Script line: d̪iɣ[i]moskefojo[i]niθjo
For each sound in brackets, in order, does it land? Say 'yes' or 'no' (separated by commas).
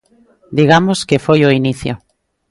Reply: no, yes